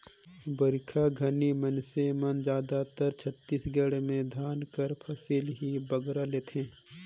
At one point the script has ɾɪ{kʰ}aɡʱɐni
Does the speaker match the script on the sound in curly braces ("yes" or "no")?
yes